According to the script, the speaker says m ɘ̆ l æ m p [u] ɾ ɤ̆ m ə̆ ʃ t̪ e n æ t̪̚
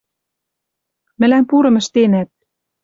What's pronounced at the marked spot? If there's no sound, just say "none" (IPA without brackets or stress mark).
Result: u